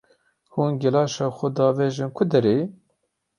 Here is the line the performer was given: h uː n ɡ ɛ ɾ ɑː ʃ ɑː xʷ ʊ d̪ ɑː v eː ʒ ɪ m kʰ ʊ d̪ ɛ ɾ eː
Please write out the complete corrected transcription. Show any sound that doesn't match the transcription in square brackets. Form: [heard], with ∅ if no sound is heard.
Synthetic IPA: h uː n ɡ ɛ [l] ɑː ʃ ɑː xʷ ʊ d̪ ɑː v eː ʒ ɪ [n] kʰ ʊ d̪ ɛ ɾ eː